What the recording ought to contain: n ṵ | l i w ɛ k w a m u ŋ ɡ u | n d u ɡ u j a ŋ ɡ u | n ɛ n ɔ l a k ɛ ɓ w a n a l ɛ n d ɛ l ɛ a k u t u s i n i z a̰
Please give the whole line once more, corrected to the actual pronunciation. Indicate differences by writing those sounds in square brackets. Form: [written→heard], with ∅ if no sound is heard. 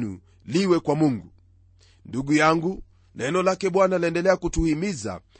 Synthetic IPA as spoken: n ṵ | l i w ɛ k w a m u ŋ ɡ u | n d u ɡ u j a ŋ ɡ u | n ɛ n ɔ l a k ɛ ɓ w a n a l ɛ n d ɛ l ɛ a k u t u [s→h] i [n→m] i z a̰